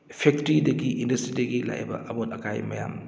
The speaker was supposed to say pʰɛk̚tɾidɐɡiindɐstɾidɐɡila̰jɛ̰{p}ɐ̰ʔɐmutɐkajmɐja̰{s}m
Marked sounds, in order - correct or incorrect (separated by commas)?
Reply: incorrect, incorrect